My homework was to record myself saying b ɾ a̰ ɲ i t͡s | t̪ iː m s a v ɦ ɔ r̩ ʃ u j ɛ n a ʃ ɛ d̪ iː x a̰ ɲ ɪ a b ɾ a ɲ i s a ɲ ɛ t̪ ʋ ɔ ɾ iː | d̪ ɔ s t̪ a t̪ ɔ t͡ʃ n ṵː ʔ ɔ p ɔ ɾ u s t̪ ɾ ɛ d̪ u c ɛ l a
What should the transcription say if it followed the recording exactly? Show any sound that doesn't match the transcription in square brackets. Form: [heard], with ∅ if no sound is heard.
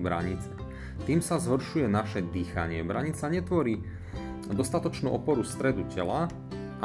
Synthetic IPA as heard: b ɾ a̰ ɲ i t͡s | t̪ iː m s a [z] ɦ ɔ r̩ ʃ u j ɛ n a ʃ ɛ d̪ iː x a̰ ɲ ɪ [ɛ] b ɾ a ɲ i [t͡s] a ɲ ɛ t̪ ʋ ɔ ɾ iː | d̪ ɔ s t̪ a t̪ ɔ t͡ʃ n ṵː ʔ ɔ p ɔ ɾ u s t̪ ɾ ɛ d̪ u c ɛ l a